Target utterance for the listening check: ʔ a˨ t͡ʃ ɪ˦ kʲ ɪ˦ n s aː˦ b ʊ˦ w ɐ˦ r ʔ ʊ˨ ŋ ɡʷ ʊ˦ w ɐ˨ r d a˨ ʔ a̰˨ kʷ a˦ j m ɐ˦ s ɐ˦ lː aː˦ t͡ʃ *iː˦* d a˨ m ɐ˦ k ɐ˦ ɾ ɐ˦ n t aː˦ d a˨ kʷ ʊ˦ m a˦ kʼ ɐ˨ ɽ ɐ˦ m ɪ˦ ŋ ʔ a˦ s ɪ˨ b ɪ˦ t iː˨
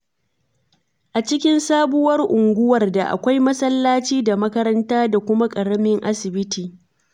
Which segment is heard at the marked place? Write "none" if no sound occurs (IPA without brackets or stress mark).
iː˦